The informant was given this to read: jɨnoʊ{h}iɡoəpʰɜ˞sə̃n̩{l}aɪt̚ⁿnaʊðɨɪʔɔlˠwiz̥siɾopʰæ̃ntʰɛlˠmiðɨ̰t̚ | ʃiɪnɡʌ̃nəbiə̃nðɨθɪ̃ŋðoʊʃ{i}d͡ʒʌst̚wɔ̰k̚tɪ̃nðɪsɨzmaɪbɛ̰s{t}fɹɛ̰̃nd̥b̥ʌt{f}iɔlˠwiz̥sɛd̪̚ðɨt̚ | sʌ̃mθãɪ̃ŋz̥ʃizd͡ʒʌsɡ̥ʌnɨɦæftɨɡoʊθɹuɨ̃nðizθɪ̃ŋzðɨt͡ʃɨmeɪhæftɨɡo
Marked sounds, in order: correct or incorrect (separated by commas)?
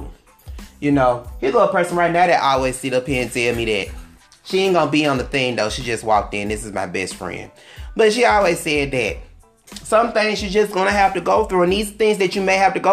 correct, incorrect, correct, correct, incorrect